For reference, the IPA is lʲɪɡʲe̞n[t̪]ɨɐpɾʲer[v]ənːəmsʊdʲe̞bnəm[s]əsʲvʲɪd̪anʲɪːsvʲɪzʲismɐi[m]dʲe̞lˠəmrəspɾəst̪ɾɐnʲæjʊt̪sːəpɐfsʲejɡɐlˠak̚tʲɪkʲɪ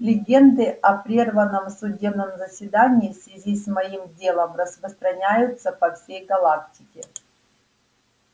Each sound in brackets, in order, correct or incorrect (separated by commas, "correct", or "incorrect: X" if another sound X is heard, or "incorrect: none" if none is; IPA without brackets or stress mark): incorrect: d̪, correct, incorrect: z, correct